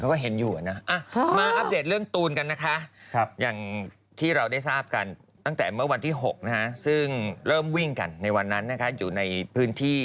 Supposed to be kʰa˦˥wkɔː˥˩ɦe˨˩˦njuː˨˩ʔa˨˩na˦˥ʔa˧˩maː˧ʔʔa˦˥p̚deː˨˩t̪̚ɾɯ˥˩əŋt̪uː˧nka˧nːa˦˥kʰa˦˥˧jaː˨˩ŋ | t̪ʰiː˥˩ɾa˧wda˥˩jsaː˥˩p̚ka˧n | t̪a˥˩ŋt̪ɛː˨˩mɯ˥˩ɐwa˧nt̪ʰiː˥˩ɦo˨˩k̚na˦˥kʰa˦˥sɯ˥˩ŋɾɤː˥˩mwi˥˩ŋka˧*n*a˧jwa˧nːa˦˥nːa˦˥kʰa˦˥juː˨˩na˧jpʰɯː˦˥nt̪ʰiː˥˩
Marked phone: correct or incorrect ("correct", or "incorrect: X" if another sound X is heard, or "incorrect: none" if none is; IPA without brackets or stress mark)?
incorrect: nː